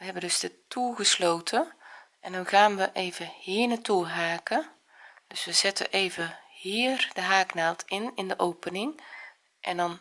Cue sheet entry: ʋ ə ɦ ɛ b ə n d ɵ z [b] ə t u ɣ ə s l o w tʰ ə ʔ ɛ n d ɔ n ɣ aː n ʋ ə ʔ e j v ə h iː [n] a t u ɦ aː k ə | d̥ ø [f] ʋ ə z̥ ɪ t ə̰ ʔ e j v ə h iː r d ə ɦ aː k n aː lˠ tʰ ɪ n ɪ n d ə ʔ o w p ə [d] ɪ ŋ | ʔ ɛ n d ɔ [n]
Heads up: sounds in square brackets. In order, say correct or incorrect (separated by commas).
incorrect, correct, incorrect, incorrect, correct